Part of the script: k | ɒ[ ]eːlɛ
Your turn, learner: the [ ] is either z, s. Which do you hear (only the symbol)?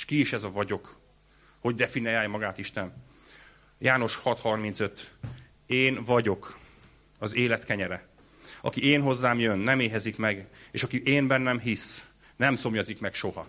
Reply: z